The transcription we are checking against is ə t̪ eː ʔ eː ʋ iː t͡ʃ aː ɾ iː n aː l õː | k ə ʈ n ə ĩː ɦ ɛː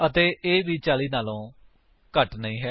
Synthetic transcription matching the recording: ə t̪ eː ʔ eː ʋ iː t͡ʃ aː l iː n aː l õː | k ə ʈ n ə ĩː ɦ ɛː

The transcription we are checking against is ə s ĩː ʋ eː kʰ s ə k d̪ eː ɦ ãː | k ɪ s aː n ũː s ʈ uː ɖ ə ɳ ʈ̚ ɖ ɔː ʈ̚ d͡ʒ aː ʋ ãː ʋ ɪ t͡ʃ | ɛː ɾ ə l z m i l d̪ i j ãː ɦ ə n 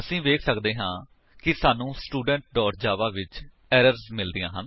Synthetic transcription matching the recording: ə s ĩː ʋ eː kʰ s ə k d̪ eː ɦ ãː | k ɪ s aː n ũː s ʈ uː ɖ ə ɳ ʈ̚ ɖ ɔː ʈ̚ d͡ʒ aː ʋ aː ʋ ɪ t͡ʃ | ɛː ɾ ə ɾ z m ɪ l d̪ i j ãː ɦ ə n

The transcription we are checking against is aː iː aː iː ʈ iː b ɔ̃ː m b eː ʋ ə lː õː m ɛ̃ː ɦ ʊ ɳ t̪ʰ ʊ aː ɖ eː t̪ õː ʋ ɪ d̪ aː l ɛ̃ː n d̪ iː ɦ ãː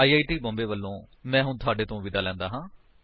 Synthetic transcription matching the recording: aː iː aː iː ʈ iː b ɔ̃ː m b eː ʋ ə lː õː m ɛ̃ː ɦ ʊ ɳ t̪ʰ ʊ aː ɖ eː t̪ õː ʋ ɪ d̪ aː l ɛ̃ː n d̪ aː ɦ ãː

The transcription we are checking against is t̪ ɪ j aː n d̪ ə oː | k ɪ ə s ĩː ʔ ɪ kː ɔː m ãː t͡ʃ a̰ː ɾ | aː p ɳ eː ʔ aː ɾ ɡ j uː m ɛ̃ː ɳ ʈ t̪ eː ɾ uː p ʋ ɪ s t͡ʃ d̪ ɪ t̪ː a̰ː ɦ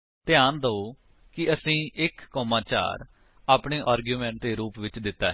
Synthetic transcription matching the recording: t̪ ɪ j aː n d̪ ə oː | k ɪ ə s ĩː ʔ ɪ kː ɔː m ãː t͡ʃ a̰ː ɾ | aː p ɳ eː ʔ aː ɾ ɡ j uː m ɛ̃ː ɳ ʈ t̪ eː ɾ uː p ʋ ɪ t͡ʃ d̪ ɪ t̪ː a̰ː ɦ

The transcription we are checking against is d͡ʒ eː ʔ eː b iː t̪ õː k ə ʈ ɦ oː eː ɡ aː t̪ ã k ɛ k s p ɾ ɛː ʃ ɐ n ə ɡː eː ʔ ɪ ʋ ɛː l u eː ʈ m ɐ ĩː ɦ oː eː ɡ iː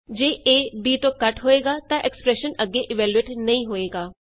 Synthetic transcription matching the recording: d͡ʒ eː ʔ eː b iː t̪ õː k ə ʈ ɦ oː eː ɡ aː t̪ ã ʔ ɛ k s p ɾ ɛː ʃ ə n ə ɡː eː ʔ ɪ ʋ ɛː l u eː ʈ n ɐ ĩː ɦ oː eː ɡ aː

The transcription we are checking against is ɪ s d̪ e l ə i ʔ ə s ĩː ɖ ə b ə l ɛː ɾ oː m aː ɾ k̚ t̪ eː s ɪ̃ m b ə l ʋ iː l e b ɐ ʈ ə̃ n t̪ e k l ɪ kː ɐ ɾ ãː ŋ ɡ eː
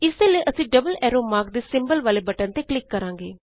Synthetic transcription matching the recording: ɪ s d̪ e l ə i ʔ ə s ĩː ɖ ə b ə l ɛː ɾ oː m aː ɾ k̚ d̪ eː s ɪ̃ m b ə l ʋ aː l e b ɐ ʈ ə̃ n t̪ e k l ɪ kː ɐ ɾ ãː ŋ ɡ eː

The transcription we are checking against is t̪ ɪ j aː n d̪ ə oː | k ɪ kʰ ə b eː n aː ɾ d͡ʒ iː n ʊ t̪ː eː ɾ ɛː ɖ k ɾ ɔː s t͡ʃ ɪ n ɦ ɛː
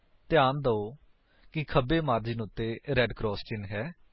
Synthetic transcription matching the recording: t̪ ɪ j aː n d̪ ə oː | k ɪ kʰ ə b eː m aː ɾ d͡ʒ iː n ʊ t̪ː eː ɾ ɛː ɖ k ɾ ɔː s t͡ʃ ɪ n ɦ ɛː

